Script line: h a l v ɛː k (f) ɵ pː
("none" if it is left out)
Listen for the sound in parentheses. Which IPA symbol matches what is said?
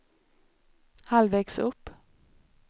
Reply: s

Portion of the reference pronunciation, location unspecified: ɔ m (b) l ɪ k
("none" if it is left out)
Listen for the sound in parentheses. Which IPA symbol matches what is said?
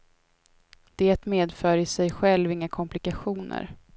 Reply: p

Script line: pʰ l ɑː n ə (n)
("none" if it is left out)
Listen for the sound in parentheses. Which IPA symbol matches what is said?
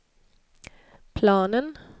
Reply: n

